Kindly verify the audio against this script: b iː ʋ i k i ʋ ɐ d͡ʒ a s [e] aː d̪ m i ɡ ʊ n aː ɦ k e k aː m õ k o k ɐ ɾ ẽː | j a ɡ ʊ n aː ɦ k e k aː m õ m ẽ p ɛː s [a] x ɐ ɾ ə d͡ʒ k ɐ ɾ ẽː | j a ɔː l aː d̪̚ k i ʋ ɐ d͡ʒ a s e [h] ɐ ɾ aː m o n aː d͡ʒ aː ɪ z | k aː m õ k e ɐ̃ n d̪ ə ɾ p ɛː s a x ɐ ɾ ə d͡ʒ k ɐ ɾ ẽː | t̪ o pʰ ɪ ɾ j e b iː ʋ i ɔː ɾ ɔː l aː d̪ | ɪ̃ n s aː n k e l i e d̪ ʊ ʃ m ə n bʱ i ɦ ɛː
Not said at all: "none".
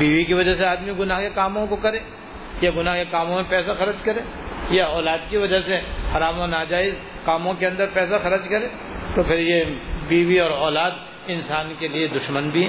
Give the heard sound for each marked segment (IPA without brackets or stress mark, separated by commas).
e, a, h